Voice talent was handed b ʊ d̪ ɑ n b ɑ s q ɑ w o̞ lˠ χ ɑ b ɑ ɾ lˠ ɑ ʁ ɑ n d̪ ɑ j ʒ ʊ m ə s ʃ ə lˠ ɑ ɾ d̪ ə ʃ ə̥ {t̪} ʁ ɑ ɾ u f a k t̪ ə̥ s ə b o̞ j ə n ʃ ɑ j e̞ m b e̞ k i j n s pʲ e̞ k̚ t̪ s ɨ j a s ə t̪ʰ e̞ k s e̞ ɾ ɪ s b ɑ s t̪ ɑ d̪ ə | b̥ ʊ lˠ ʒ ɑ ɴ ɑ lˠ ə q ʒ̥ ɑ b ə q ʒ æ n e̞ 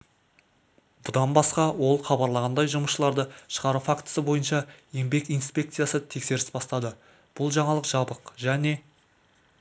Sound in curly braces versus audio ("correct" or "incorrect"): incorrect